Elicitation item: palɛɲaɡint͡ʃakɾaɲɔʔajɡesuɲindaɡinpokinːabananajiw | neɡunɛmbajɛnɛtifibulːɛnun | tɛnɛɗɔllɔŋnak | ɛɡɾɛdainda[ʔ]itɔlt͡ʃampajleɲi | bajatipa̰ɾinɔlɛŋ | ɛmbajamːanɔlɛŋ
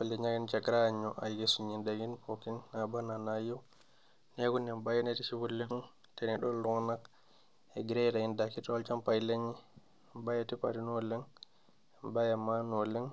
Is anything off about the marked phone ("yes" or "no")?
yes